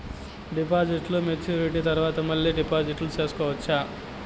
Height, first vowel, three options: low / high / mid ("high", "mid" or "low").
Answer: high